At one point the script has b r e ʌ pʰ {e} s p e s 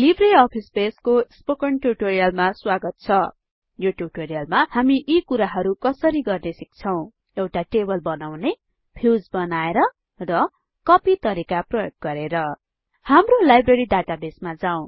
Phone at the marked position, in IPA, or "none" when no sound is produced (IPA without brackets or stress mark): i